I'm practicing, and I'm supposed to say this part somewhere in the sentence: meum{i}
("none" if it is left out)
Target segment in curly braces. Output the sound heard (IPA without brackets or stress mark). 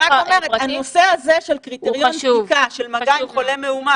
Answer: a